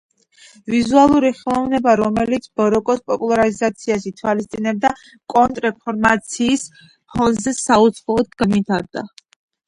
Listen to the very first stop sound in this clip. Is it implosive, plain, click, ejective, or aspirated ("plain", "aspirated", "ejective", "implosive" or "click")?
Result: plain